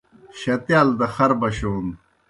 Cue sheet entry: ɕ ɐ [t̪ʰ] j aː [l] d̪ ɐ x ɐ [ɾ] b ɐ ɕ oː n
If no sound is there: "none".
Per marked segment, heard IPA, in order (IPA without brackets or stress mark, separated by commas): t̪, l, ɾ